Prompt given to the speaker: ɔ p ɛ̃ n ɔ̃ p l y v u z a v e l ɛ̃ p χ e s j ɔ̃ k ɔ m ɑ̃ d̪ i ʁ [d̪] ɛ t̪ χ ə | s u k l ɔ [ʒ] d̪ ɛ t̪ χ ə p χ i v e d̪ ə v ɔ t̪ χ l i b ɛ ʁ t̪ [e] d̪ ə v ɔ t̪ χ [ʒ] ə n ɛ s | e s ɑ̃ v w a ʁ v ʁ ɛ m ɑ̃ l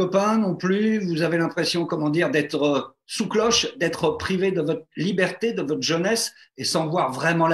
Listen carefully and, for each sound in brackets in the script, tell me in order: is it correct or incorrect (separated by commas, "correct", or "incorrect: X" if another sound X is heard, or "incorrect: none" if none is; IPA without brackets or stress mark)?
correct, incorrect: ʃ, correct, correct